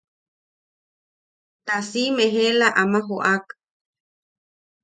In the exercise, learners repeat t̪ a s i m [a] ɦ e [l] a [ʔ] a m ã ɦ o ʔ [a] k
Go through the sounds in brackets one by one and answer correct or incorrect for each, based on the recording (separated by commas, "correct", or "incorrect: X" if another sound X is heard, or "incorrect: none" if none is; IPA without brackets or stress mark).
incorrect: e, correct, correct, correct